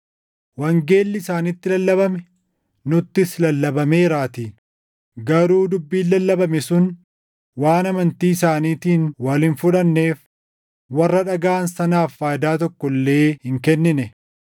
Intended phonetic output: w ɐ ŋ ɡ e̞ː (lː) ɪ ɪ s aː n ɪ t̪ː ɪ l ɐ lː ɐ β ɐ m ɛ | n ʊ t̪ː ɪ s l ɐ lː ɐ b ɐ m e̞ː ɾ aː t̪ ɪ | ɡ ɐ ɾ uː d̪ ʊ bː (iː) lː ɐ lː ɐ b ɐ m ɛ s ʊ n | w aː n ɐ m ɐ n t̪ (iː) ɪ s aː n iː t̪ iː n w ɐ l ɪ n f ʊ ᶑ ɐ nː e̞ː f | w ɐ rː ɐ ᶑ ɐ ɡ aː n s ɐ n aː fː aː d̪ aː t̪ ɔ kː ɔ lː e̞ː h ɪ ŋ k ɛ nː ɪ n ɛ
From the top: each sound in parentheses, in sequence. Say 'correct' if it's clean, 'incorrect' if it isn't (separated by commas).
correct, correct, correct